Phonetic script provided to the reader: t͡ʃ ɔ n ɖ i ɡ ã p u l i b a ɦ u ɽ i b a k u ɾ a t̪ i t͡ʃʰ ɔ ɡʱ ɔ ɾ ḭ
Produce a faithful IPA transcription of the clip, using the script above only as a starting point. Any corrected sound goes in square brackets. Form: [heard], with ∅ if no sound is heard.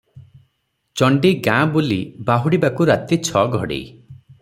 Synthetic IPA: t͡ʃ ɔ [ɳ] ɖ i ɡ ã [b] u l i b a ɦ u ɽ i b a k u ɾ a t̪ i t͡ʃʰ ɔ ɡʱ ɔ [ɽ] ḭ

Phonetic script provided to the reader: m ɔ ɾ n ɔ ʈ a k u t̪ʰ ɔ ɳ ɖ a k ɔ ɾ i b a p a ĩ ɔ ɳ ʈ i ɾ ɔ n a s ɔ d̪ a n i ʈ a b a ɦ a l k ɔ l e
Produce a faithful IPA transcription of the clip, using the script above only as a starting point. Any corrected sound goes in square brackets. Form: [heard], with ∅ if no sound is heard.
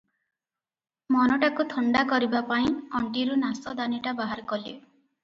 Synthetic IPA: m ɔ [∅] n ɔ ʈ a k u t̪ʰ ɔ ɳ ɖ a k ɔ ɾ i b a p a ĩ ɔ ɳ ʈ i ɾ [u] n a s ɔ d̪ a n i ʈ a b a ɦ a [ɾ] k ɔ l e

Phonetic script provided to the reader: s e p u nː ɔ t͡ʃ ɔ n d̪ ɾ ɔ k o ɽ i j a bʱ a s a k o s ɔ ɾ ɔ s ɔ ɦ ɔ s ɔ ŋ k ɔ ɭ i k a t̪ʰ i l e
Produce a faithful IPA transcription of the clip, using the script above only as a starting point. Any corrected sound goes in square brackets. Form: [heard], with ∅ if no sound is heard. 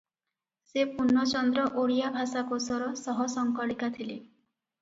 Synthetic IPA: s e p u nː ɔ t͡ʃ ɔ n d̪ ɾ ɔ [ʔ] o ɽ i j a bʱ a s a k o s ɔ ɾ ɔ s ɔ ɦ ɔ s ɔ ŋ k ɔ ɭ i k a t̪ʰ i l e

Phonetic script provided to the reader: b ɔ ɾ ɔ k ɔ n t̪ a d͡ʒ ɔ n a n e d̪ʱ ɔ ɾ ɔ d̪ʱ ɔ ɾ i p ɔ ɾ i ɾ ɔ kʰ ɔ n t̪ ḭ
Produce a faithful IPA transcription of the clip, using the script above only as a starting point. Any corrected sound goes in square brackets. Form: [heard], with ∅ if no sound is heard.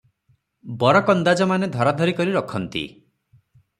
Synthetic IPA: b ɔ ɾ ɔ k ɔ n [d̪] a d͡ʒ ɔ [m] a n e d̪ʱ ɔ ɾ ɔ d̪ʱ ɔ ɾ i [k] ɔ ɾ i ɾ ɔ kʰ ɔ n t̪ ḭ

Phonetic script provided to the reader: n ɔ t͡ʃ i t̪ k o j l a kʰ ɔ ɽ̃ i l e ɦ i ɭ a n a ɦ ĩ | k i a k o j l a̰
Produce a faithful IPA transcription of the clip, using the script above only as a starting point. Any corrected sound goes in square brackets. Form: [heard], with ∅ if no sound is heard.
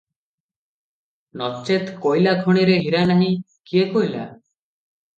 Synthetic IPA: n ɔ t͡ʃ [e] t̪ k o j l a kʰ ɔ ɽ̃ i [ɾ] e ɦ i [ɾ] a n a ɦ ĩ | k i [e] k o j l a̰

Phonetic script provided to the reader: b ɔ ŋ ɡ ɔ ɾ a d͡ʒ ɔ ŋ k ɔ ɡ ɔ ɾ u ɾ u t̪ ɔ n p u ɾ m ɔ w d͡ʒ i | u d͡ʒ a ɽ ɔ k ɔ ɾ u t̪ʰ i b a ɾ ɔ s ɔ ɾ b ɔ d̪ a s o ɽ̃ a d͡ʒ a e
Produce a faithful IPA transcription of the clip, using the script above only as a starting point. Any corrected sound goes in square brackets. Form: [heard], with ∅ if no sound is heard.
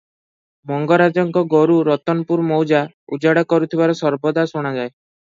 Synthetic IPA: [m] ɔ ŋ ɡ ɔ ɾ a d͡ʒ ɔ ŋ k ɔ ɡ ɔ ɾ u ɾ [ɔ] t̪ ɔ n p u ɾ m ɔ w d͡ʒ [a] | u d͡ʒ a ɽ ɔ k ɔ ɾ u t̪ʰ i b a ɾ ɔ s ɔ ɾ b ɔ d̪ a s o ɽ̃ a d͡ʒ a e

